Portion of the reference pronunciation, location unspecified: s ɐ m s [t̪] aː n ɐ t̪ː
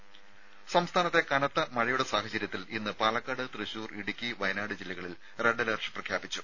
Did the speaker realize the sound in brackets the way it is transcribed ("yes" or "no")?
no